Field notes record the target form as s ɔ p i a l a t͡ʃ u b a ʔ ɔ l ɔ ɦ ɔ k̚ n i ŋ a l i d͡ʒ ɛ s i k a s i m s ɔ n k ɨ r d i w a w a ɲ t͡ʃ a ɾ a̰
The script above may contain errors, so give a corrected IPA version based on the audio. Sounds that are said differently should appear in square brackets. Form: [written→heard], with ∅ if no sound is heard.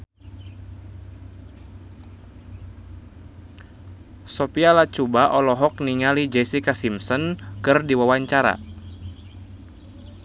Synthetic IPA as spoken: s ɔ p i a l a t͡ʃ u b a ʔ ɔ l ɔ ɦ ɔ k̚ n i ŋ a l i d͡ʒ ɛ s i k a s i m s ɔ n k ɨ r d i w a w a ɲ t͡ʃ a ɾ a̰